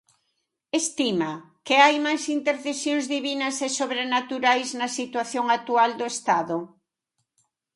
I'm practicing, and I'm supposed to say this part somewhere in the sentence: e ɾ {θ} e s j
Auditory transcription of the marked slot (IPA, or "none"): θ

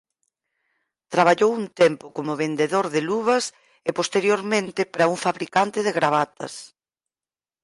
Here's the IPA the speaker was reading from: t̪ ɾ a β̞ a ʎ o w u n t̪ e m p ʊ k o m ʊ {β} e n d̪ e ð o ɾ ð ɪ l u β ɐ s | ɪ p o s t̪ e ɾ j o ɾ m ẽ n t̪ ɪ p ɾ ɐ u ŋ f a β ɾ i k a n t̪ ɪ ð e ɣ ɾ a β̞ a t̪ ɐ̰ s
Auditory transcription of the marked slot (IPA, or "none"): β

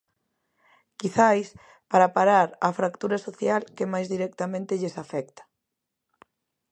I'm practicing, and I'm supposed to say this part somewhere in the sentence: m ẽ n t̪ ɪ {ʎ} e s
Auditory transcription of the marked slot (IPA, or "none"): ʎ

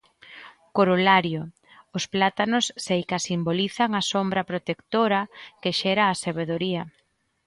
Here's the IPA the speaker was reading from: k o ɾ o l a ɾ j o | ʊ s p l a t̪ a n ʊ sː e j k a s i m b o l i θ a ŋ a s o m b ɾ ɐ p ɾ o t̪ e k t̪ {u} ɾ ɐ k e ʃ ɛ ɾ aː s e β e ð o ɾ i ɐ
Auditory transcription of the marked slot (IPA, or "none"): o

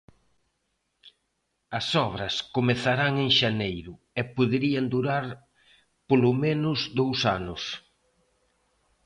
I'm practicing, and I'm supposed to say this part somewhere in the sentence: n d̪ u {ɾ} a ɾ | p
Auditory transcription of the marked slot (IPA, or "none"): ɾ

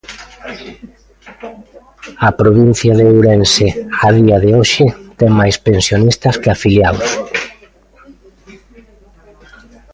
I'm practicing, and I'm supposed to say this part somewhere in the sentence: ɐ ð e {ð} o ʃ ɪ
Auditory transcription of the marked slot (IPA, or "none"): none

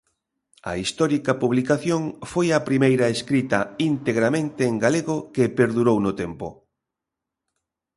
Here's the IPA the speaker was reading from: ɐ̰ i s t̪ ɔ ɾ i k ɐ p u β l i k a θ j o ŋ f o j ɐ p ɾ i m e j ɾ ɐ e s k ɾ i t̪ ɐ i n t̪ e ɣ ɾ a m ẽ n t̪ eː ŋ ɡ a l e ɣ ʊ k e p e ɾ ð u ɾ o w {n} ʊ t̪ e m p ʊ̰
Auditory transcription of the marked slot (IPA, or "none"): n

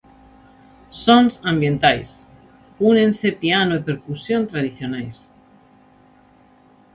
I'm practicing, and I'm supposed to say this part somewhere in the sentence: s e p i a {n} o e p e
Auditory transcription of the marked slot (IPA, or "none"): n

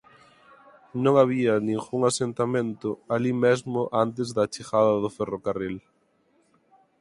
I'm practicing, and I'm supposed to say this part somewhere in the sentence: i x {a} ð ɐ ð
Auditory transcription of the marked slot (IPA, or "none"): a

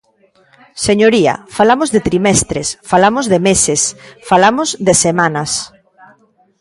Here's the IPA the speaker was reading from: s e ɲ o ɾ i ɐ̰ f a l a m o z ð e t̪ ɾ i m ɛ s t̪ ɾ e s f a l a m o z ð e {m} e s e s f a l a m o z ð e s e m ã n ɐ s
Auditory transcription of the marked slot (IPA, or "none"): m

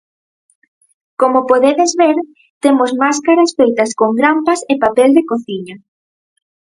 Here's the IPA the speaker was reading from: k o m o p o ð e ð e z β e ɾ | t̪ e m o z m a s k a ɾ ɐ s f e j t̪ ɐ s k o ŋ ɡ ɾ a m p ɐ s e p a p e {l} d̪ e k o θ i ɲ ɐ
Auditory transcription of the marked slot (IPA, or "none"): l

